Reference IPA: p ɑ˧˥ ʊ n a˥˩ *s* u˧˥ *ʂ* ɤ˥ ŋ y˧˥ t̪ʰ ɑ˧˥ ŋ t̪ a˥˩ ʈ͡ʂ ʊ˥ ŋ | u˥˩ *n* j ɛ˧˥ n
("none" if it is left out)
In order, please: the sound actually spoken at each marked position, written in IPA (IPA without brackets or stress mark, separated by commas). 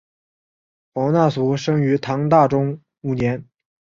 s, ʂ, n